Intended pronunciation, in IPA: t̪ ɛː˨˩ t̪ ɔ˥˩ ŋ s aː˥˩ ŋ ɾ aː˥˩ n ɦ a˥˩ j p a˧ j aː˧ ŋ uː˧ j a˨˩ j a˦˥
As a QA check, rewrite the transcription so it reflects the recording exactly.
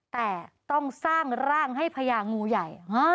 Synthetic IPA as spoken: t̪ ɛː˨˩ t̪ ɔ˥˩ ŋ s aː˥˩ ŋ ɾ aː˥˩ ŋ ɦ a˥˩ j pʰ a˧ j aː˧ ŋ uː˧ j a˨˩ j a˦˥

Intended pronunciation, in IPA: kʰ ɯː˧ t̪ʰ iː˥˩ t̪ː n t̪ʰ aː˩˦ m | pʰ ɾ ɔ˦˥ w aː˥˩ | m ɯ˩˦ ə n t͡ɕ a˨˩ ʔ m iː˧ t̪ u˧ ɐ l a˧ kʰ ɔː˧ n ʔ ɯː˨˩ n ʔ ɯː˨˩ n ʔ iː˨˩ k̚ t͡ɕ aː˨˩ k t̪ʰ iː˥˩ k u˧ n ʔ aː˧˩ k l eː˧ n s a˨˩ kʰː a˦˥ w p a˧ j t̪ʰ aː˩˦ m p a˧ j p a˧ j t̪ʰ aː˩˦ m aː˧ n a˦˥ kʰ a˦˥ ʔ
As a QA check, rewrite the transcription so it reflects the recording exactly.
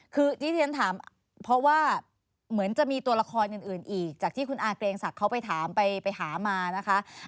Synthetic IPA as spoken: kʰ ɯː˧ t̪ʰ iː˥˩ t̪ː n t̪ʰ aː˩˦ m | pʰ ɾ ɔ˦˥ w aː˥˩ | m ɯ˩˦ ə n t͡ɕ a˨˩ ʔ m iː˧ t̪ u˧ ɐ l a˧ kʰ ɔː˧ n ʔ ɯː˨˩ n ʔ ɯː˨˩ n ʔ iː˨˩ k̚ t͡ɕ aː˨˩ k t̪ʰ iː˥˩ k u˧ n ʔ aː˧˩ k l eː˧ ŋ s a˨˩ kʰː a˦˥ w p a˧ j t̪ʰ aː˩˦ m p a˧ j p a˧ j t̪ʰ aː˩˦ m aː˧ n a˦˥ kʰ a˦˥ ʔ

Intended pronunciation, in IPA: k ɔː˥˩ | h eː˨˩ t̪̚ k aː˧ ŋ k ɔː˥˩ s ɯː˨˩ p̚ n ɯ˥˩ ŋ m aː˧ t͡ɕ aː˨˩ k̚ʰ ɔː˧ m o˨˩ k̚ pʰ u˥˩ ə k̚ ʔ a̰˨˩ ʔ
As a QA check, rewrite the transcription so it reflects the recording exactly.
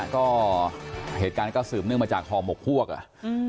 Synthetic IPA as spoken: k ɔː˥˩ | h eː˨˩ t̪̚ k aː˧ n k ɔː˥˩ s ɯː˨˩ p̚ n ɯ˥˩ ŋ m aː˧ t͡ɕ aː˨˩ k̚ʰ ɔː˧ m o˨˩ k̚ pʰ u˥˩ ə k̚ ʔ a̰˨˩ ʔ

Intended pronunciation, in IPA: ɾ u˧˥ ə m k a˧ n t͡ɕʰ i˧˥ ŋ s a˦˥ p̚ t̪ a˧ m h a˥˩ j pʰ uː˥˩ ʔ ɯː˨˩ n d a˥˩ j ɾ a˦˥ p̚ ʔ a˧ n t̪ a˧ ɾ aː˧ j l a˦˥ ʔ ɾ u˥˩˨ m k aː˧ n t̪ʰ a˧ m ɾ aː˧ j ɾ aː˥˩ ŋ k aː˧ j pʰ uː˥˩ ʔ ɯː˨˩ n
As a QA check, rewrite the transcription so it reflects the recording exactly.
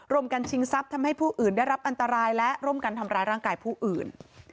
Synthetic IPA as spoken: ɾ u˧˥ ə m k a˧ n t͡ɕʰ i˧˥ ŋ s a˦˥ p̚ t̪ʰ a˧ m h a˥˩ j pʰ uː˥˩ ʔ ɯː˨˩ n d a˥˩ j ɾ a˦˥ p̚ ʔ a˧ n t̪ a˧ ɾ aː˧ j l ɛ˦˥ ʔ ɾ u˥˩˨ m k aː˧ n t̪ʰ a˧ m ɾ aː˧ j ɾ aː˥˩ ŋ k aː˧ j pʰ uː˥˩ ʔ ɯː˨˩ n

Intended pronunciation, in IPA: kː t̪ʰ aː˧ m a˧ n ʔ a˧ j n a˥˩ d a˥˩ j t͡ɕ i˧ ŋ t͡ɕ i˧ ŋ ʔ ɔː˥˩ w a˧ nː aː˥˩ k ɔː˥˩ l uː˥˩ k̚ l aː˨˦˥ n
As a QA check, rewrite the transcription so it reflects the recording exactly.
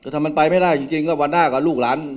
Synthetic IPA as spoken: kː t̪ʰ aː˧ m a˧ n p a˧ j m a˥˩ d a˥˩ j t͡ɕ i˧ ŋ t͡ɕ i˧ ŋ k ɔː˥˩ w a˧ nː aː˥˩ k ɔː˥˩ l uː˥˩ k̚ l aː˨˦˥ n

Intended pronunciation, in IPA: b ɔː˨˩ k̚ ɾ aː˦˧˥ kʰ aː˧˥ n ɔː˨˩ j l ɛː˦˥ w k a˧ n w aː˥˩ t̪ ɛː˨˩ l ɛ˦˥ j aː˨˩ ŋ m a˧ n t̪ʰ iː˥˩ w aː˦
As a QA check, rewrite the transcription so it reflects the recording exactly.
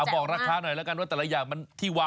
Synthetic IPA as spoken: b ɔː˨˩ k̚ ɾ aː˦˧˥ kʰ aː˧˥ n ɔ˨˩ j l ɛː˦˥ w k a˧ n w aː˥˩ t̪ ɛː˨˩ l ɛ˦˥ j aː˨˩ ŋ m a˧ n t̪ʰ iː˥˩ w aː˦

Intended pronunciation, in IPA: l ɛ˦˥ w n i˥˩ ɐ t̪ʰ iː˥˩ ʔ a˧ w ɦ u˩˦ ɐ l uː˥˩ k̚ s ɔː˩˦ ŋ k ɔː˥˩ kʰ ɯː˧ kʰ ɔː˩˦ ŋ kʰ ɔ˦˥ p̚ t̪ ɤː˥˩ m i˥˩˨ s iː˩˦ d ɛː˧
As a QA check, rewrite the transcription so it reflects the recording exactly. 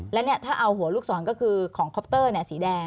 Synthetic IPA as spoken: l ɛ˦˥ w n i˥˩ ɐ t̪ʰ aː˥˩ ʔ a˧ w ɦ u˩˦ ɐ l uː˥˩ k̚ s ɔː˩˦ n k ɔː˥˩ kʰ ɯː˧ kʰ ɔː˩˦ ŋ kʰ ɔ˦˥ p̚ t̪ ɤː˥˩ n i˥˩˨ s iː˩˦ d ɛː˧

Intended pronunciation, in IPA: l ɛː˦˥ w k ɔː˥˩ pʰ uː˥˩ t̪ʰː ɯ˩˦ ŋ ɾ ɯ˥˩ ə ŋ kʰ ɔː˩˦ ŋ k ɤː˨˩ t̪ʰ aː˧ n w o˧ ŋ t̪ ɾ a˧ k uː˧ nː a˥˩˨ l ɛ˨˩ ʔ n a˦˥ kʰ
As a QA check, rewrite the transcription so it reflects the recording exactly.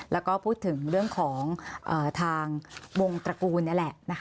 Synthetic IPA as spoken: l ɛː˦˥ w k ɔː˥˩ pʰ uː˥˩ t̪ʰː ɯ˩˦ ŋ ɾ ɯ˥˩ ə ŋ kʰ ɔː˩˦ ŋ ʔ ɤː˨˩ t̪ʰ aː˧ ŋ w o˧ ŋ t̪ ɾ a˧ k uː˧ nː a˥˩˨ l ɛ˨˩ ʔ n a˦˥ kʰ

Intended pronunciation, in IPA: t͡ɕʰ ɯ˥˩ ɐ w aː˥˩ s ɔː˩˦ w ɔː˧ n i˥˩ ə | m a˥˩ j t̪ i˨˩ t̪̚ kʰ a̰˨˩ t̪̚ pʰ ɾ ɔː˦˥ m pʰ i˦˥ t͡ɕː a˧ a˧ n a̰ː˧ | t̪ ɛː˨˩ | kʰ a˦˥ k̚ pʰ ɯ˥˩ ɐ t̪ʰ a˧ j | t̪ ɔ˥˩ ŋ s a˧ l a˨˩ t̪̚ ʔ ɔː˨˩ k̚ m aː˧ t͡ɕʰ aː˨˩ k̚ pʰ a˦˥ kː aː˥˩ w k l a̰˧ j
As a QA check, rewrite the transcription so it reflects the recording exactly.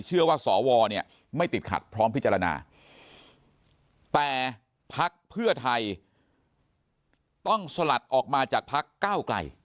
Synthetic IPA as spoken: t͡ɕʰ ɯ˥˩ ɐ w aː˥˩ s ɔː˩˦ w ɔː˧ n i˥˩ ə | m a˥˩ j t̪ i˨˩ t̪̚ kʰ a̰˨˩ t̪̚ pʰ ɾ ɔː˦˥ m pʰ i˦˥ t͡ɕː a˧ a˧ n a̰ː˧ | t̪ ɛː˨˩ | pʰ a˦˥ k̚ pʰ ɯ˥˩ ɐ t̪ʰ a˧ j | t̪ ɔ˥˩ ŋ s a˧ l a˨˩ t̪̚ ʔ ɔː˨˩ k̚ m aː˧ t͡ɕ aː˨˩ k̚ pʰ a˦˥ kː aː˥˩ w k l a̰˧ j

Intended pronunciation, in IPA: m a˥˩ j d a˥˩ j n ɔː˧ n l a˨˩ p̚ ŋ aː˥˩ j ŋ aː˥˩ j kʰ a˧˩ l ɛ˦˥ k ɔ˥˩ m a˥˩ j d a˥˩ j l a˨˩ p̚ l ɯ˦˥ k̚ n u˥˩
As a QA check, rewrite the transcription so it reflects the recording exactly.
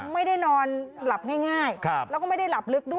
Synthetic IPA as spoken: m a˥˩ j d a˥˩ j n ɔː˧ n l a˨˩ p̚ ŋ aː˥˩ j ŋ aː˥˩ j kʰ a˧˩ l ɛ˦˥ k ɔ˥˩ m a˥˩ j d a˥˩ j l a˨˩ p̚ l ɯ˦˥ k̚ d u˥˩

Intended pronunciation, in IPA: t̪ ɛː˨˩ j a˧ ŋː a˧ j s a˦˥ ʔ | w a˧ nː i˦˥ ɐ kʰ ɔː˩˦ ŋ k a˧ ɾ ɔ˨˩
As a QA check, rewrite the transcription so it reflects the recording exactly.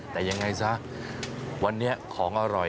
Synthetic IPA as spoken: t̪ ɛː˨˩ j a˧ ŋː a˧ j s a˦˥ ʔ | w a˧ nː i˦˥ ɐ kʰ ɔː˩˦ ŋ ʔ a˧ ɾ ɔ˨˩

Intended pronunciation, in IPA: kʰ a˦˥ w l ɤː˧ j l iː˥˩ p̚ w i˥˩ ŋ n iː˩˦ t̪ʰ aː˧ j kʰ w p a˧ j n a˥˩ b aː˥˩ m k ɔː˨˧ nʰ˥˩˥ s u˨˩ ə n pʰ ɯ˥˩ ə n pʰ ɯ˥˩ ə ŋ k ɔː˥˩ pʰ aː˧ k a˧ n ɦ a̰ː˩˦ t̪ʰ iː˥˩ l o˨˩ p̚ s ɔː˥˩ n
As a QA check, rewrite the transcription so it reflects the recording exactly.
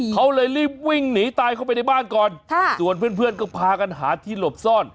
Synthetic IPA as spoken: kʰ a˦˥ w l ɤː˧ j l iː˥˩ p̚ w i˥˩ ŋ n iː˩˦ t̪ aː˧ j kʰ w p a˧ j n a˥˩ b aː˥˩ n k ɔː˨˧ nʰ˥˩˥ s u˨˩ ə n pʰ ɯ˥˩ ə n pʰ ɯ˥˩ ə n k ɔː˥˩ pʰ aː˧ k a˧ n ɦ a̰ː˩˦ t̪ʰ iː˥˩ l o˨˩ p̚ s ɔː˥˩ n

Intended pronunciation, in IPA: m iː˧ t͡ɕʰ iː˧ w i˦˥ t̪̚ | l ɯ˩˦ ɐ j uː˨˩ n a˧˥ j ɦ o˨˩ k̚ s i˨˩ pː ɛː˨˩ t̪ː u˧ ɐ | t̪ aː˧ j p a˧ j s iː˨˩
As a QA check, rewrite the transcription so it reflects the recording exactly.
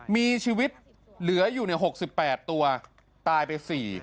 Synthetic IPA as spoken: m iː˧ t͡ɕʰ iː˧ w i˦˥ t̪̚ | l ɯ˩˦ ɐ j uː˨˩ n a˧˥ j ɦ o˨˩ k̚ s i˨˩ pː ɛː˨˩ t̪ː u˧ ɐ | t̪ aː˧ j p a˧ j s iː˨˩

